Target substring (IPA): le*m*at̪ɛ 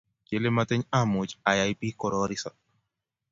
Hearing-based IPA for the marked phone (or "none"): m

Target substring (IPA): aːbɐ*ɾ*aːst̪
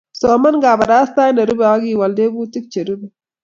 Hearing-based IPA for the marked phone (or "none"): ɾ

